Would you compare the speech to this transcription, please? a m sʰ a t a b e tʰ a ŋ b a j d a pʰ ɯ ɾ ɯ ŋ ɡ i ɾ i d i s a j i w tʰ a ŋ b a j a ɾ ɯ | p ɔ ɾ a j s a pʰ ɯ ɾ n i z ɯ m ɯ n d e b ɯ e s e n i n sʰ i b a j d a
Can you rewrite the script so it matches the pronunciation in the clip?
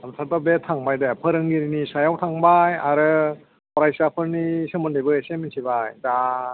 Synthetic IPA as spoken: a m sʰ a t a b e tʰ a ŋ b a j d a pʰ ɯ ɾ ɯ ŋ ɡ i ɾ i n i s a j a w tʰ a ŋ b a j a ɾ ɯ | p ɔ ɾ a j s a pʰ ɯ ɾ n i s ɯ m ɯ n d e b ɯ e s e m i n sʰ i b a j d a